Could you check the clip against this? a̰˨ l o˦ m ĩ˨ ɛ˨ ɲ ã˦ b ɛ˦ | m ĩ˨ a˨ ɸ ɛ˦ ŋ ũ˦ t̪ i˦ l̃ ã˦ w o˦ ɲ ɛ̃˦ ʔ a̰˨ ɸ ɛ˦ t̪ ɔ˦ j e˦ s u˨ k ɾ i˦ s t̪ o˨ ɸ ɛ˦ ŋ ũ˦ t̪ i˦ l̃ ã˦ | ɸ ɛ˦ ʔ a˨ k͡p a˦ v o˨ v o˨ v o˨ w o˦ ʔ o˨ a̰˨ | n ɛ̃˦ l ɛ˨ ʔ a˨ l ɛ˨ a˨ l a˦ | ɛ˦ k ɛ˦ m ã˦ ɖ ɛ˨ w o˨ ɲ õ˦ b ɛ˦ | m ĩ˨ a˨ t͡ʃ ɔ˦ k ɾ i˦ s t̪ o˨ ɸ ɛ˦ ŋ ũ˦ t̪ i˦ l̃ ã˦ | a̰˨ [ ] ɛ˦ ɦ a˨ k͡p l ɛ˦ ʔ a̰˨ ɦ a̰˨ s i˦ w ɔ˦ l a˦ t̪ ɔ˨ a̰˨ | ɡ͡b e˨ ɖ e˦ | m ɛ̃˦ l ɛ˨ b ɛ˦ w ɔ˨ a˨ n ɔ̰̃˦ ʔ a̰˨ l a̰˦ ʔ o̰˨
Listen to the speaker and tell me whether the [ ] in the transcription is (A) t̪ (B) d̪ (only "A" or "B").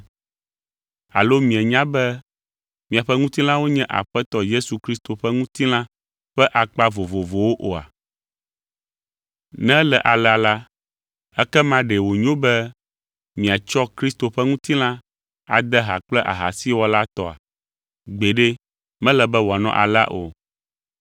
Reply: B